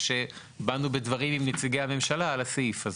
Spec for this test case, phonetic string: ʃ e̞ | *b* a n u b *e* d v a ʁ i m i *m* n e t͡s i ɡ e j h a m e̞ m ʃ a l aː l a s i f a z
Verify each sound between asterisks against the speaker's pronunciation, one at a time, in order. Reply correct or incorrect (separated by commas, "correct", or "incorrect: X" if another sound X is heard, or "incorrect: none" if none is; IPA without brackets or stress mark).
correct, correct, correct